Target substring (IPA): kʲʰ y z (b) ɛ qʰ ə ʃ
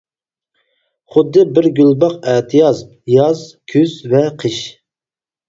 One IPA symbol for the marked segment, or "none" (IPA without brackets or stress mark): v